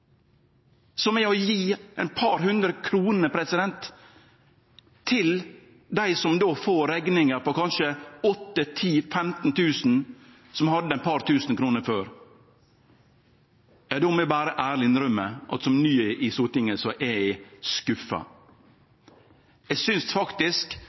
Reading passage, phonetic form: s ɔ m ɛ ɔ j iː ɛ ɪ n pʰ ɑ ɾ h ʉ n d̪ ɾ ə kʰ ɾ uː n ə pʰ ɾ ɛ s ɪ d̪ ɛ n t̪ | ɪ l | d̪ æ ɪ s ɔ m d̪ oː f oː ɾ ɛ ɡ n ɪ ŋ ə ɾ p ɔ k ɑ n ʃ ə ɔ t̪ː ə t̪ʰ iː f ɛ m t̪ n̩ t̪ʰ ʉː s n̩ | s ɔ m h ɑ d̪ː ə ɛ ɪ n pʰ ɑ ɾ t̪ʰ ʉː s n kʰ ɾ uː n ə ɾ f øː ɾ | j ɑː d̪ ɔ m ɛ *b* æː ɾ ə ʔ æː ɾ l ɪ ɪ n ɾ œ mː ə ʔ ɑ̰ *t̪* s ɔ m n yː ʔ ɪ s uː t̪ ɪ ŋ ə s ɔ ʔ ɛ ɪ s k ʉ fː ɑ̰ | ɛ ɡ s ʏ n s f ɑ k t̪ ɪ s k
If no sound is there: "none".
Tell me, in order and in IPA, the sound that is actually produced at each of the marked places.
b, t̪

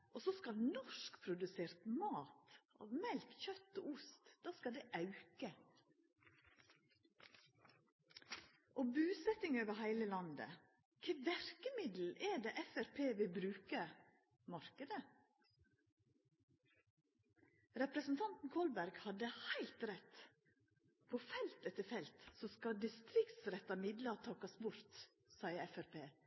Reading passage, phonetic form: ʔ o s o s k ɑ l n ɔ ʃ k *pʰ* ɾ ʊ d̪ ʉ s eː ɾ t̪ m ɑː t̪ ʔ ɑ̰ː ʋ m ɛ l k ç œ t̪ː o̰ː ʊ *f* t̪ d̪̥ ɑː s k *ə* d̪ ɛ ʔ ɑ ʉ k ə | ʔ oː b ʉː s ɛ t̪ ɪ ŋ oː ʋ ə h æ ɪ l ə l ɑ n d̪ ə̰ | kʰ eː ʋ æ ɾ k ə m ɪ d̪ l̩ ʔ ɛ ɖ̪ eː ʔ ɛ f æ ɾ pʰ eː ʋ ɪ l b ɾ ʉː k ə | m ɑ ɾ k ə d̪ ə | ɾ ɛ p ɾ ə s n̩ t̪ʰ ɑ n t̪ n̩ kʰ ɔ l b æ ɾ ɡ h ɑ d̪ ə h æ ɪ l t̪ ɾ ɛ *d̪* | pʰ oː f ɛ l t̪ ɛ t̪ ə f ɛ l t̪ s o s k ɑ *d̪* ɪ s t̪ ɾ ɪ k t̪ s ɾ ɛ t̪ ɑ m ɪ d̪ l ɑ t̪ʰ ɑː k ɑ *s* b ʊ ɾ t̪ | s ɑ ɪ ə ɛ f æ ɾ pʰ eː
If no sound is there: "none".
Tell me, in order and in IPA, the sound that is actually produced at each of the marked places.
pʰ, s, ɑ, t̪, d̪, s

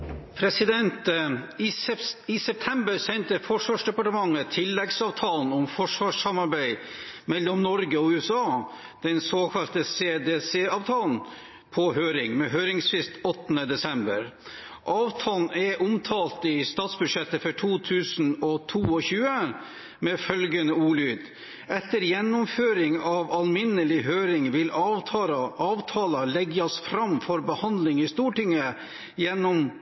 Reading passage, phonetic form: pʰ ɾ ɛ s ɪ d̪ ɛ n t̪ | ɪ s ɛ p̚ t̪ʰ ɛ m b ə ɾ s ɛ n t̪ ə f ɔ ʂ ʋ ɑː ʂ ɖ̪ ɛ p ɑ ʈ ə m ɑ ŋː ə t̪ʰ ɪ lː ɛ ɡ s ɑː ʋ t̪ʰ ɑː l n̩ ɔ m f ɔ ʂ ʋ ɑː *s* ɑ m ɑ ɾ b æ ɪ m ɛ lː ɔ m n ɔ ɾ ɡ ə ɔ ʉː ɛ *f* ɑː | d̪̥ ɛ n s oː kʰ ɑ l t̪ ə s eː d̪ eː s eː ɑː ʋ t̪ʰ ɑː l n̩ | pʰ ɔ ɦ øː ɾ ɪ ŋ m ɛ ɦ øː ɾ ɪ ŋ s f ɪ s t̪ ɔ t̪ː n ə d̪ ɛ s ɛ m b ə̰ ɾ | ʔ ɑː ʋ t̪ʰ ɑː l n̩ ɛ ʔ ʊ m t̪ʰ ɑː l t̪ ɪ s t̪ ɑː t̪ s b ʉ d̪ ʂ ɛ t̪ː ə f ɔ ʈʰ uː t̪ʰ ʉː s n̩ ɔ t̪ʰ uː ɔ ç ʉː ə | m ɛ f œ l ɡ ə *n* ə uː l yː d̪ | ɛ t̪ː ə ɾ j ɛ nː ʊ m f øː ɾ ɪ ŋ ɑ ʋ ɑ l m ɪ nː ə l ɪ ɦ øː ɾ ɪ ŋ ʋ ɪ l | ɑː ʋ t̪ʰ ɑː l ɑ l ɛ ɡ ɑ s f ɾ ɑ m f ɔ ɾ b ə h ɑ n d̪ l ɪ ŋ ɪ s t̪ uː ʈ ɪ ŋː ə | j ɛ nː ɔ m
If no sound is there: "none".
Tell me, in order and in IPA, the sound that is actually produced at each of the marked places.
ʂ, s, n

